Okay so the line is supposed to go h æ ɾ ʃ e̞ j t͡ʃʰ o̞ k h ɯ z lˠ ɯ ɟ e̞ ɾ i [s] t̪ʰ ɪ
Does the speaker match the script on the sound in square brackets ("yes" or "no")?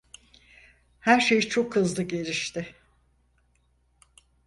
no